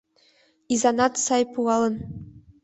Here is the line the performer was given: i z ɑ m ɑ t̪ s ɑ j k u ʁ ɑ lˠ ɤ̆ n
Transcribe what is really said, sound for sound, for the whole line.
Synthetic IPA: i z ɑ n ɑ t̪ s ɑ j p u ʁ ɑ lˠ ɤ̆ n